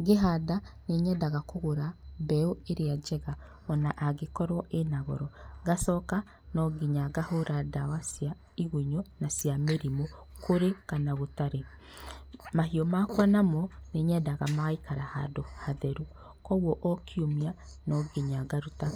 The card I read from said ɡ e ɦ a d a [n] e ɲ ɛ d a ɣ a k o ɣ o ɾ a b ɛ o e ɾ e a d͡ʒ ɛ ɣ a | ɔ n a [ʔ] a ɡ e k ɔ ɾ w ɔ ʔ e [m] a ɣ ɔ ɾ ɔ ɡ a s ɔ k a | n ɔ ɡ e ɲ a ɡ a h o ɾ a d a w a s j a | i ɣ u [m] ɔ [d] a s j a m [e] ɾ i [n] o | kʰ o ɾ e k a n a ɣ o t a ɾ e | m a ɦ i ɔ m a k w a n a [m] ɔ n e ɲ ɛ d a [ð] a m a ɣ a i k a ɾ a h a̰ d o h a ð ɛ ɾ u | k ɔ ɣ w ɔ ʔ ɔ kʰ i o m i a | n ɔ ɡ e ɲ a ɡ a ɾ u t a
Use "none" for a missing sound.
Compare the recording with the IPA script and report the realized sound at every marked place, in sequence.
n, ʔ, n, ɲ, n, e, m, m, ɣ

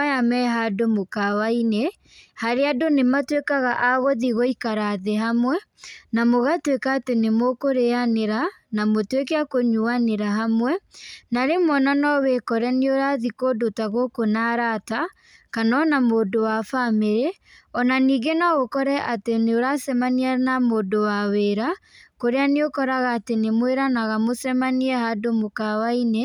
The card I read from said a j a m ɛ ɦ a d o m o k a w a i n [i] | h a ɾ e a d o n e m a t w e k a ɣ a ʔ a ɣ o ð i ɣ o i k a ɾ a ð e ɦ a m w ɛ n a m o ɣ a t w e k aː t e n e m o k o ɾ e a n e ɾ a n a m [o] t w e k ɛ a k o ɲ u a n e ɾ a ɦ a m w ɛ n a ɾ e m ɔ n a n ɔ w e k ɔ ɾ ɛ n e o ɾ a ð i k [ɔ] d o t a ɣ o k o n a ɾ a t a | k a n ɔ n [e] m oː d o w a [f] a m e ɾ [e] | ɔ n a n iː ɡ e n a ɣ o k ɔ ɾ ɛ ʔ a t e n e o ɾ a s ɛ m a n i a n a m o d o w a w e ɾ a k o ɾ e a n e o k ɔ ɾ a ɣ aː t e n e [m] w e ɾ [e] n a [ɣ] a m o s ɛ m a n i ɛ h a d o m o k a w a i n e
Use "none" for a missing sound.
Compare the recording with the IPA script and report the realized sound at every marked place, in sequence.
e, o, o, a, f, e, m, a, ɣ

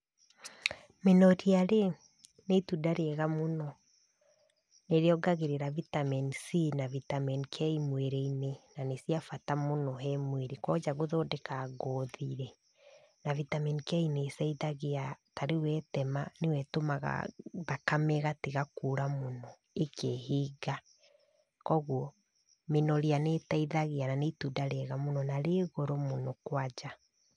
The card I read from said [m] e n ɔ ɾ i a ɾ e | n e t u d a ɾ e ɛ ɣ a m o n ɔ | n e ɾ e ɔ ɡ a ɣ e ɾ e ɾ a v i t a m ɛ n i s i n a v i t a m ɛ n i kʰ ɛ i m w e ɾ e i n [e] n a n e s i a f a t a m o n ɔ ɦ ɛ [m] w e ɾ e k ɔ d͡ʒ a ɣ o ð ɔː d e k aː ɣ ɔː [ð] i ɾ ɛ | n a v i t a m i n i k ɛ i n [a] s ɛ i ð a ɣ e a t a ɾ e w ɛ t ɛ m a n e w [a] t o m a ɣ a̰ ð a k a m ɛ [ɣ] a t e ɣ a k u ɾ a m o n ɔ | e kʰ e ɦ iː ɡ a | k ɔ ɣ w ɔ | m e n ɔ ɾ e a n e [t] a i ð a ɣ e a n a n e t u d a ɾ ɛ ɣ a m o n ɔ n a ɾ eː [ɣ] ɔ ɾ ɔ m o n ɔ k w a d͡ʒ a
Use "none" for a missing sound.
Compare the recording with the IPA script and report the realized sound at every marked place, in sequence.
m, e, m, ð, e, ɛ, ɣ, t, ɣ

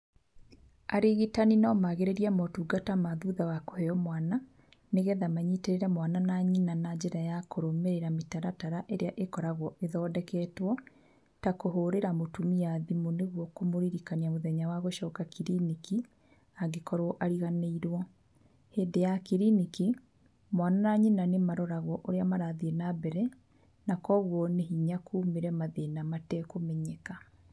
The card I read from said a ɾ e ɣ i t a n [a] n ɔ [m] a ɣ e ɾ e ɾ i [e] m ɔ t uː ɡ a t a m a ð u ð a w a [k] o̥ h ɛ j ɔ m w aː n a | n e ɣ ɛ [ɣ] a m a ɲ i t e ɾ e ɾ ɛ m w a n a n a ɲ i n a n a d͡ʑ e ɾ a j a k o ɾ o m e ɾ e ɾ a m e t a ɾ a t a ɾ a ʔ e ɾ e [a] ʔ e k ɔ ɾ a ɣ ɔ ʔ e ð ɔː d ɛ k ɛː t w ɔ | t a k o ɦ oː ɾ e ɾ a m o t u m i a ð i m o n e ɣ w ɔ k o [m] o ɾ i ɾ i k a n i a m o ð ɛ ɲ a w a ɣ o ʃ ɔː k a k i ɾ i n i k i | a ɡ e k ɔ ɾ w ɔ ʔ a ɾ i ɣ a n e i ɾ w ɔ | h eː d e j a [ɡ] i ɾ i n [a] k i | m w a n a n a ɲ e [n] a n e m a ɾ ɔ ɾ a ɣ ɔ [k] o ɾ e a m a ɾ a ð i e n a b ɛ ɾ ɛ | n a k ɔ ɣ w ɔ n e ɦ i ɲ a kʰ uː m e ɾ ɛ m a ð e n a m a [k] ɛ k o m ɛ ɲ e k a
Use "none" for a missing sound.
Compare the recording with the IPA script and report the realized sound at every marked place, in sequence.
i, m, a, k, ð, a, m, k, i, n, ʔ, t

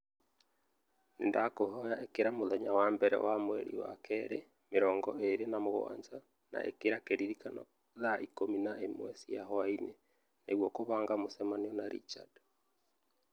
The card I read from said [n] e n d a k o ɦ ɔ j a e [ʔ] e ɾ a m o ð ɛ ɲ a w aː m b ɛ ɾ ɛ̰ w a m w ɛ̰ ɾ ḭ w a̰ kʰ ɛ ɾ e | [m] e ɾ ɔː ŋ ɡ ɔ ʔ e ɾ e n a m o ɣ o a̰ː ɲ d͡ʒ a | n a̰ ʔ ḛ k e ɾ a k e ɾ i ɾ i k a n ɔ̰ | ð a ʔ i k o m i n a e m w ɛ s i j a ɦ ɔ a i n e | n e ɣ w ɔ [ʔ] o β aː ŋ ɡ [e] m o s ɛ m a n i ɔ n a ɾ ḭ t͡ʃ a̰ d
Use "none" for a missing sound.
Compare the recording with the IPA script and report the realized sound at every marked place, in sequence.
n, k, m, k, a

